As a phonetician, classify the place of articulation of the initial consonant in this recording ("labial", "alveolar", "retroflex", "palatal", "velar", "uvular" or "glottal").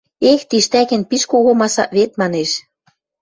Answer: velar